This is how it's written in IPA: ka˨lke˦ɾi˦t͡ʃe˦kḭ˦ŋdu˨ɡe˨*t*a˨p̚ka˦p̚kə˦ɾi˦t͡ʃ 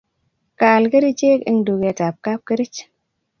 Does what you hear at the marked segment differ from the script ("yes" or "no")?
no